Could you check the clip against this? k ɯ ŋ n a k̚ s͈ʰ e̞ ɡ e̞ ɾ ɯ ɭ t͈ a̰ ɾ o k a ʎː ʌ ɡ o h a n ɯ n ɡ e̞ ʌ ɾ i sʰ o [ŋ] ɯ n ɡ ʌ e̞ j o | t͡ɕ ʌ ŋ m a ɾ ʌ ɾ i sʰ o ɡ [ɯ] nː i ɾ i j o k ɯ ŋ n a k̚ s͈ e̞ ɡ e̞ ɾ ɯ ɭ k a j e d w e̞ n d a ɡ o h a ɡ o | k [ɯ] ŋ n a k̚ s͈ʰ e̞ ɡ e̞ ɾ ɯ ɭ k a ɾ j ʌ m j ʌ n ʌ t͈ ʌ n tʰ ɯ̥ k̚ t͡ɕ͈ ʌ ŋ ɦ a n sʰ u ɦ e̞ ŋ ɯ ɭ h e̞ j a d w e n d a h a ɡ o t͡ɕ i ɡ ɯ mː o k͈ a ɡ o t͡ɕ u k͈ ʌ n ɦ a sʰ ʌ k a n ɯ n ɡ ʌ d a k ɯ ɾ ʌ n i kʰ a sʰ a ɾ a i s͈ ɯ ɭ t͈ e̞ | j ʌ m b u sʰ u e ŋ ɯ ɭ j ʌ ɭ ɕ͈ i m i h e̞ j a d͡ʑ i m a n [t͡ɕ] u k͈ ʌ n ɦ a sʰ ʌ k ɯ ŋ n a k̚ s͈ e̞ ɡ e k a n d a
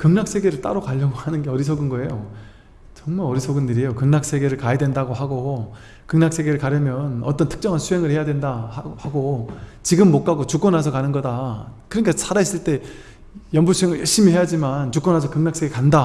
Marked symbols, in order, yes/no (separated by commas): no, yes, yes, yes